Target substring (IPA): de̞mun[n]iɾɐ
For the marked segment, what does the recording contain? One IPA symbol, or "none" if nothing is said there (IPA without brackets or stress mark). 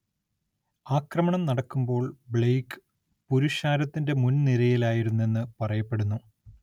n